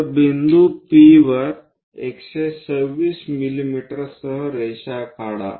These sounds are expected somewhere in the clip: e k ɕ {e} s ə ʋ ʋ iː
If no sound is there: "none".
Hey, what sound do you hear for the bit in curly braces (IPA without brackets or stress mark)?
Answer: e